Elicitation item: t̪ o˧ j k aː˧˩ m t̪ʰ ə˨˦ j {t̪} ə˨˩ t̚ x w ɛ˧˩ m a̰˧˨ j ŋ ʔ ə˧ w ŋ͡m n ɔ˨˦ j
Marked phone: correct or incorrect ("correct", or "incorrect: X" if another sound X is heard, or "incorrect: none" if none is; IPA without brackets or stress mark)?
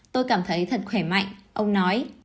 incorrect: t̪ʰ